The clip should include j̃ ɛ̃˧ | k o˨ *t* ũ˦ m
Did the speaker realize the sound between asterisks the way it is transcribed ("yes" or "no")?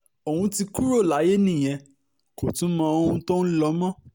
yes